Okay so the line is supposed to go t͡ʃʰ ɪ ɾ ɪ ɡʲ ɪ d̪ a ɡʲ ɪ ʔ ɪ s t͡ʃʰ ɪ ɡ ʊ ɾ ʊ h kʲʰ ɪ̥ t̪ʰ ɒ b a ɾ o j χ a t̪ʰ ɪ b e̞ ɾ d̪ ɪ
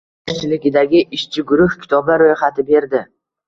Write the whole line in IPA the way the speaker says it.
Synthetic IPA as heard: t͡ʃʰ ɪ l ɪ ɡʲ ɪ d̪ a ɡʲ ɪ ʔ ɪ ʃ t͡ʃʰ ɪ ɡ ʊ ɾ ʊ h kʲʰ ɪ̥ t̪ʰ ɒ b a ɾ o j χ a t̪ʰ ɪ b e̞ ɾ d̪ ɪ